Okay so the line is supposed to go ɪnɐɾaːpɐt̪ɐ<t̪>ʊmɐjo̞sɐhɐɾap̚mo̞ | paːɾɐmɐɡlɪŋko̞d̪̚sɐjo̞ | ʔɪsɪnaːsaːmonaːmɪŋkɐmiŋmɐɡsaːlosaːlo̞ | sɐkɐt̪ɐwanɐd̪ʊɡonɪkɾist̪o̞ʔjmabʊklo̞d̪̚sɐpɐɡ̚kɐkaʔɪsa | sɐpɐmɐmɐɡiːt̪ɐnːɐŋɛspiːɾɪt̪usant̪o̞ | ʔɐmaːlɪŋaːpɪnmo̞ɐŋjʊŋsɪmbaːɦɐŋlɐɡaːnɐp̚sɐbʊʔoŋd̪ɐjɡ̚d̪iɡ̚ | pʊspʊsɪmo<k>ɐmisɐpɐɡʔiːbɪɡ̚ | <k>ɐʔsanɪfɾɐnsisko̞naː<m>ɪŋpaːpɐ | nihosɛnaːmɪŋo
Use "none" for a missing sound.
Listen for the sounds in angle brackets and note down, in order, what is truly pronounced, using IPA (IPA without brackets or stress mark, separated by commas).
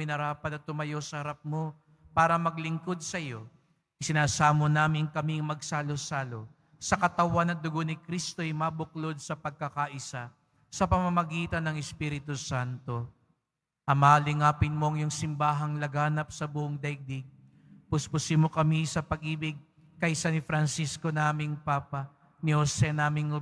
t̪, k, k, m